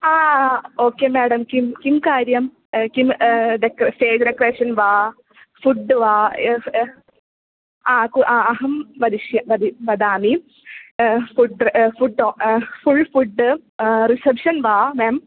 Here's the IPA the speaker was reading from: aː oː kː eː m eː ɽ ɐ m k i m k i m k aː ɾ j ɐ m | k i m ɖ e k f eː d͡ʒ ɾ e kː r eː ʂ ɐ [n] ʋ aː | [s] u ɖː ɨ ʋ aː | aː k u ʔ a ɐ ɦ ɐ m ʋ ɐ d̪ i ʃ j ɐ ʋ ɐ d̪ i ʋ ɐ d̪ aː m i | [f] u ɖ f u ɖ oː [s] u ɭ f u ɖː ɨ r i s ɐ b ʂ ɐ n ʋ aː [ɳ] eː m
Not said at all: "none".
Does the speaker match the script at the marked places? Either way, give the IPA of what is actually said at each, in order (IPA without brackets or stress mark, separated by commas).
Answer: n, f, f, f, m